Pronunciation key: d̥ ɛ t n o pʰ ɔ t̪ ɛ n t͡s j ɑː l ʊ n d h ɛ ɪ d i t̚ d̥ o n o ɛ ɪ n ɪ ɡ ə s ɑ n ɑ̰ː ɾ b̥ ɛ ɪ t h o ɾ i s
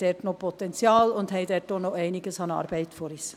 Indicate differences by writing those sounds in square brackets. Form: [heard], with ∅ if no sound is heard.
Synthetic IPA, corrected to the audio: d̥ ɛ t n o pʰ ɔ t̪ ɛ n t͡s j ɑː l ʊ n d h ɛ ɪ d [ɛ] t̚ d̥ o n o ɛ ɪ n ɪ ɡ ə s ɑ n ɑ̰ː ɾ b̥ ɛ ɪ t [f] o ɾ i s

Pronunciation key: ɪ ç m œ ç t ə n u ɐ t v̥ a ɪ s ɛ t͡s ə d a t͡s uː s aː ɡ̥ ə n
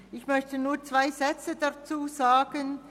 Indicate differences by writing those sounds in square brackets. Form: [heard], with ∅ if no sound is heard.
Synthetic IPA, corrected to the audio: ɪ ç m œ ç t ə n [uː] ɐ [t͡s] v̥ a ɪ [z] ɛ t͡s ə d a t͡s uː [z] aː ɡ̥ ə n

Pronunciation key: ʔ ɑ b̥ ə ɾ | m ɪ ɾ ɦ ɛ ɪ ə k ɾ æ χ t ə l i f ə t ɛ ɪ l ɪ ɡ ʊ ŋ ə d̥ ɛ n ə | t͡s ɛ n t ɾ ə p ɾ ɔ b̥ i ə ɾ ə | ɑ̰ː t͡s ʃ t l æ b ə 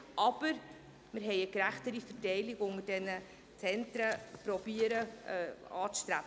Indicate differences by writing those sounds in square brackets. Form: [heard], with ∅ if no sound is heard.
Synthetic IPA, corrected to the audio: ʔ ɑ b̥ ə ɾ | m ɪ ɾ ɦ ɛ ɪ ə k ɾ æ χ t ə [ɾ] i f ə t ɛ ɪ l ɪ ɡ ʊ ŋ ə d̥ ɛ n ə | t͡s ɛ n t ɾ ə p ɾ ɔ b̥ i ə ɾ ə | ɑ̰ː t͡s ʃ t [ɾ] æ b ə

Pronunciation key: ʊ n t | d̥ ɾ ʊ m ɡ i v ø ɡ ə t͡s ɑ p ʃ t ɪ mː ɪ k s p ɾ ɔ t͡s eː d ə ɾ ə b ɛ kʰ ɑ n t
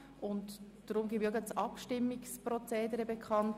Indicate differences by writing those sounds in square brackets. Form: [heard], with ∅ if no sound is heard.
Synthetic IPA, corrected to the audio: ʊ n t | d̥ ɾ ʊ m ɡ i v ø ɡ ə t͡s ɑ p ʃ t ɪ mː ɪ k s p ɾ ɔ t͡s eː d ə ɾ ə b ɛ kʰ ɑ n t

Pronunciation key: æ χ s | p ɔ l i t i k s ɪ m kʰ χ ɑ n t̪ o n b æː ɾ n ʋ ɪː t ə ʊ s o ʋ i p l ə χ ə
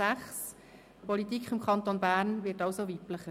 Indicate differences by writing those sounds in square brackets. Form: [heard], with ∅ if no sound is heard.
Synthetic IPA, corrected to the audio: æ χ s | p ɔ l i t i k [χ] ɪ m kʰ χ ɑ n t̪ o n b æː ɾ n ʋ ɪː t [ɑ] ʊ s o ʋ i p l ə χ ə

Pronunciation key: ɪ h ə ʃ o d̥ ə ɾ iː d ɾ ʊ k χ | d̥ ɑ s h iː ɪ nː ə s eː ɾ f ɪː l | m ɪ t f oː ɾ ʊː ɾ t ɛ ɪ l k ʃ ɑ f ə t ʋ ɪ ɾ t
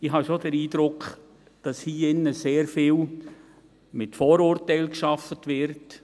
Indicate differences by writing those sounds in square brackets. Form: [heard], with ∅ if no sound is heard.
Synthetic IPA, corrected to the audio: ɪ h [ɑ] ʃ o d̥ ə ɾ iː d ɾ ʊ k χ | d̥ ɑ s h iː ɪ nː ə s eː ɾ f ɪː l | m ɪ t f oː ɾ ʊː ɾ t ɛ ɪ l k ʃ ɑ f ə t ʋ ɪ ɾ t

